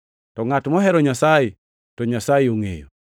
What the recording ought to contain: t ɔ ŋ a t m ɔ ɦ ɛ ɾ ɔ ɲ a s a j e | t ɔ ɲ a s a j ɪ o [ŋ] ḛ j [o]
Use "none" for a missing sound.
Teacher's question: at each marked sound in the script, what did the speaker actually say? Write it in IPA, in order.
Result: ŋ, o

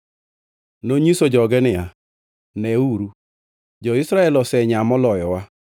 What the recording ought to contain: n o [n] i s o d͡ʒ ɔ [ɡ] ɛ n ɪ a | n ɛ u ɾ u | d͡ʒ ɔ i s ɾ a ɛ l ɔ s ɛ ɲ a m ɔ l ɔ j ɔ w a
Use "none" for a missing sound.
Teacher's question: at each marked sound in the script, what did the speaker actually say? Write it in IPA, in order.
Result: ɲ, ɡ

